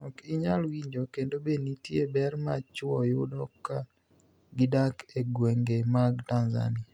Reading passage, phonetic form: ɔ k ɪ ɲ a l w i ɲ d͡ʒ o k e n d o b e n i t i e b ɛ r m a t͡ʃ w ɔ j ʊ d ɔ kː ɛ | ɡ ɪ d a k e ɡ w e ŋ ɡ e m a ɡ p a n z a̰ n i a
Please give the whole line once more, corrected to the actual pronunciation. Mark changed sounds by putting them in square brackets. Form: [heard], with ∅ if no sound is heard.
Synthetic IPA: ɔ k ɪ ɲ a l w i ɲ d͡ʒ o k e n d o b e n i t [j] e b ɛ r m a t͡ʃ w ɔ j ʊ d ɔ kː [a] | ɡ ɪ d a k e ɡ w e ŋ ɡ e m a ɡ [t] a n z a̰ n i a